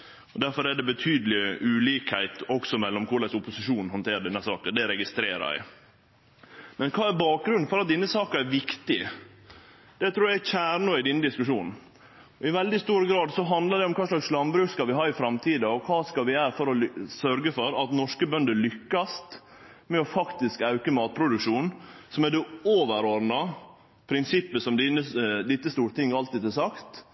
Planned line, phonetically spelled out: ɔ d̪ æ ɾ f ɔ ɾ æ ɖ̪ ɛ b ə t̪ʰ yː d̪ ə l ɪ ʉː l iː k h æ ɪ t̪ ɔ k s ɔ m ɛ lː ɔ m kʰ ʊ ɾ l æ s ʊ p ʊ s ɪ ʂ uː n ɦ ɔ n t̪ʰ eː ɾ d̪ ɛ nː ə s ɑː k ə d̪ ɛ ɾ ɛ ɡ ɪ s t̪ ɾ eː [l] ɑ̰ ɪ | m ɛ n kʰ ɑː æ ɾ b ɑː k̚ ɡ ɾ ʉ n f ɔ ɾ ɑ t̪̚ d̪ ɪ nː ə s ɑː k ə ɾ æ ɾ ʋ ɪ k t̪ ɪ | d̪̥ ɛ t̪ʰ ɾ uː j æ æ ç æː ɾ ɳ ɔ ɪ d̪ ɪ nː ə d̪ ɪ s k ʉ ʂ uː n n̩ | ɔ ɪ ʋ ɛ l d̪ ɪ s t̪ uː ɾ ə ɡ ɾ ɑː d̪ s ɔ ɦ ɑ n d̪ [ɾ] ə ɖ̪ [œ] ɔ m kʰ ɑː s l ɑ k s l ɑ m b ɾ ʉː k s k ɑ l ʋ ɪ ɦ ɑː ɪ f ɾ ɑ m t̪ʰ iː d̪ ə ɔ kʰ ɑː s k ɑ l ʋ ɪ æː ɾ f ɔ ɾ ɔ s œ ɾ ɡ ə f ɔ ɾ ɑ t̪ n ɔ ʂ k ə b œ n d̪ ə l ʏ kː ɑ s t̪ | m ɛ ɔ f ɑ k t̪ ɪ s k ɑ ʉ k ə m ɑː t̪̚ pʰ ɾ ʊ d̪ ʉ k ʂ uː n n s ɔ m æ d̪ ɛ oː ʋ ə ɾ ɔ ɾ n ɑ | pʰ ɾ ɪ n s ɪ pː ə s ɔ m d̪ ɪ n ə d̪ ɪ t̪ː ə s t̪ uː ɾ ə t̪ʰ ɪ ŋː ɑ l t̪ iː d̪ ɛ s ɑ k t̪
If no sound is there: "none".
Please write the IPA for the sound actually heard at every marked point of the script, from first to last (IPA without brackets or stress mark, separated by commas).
ɾ, l, ɛ